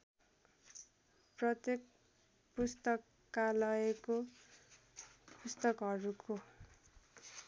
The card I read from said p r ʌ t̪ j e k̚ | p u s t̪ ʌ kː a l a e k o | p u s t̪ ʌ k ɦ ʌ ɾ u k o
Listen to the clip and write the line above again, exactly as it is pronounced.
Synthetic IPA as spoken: p r ʌ t̪ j e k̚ | p u s t̪ ʌ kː a l ʌ e k o | p u s t̪ ʌ k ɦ ʌ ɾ u k o